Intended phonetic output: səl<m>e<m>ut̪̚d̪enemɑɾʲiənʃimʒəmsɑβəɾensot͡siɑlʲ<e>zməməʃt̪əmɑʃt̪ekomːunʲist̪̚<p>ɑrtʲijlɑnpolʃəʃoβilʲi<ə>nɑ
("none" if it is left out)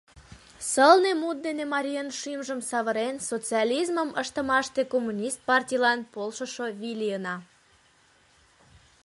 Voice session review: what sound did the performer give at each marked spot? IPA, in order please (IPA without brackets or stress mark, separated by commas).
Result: n, m, i, p, ə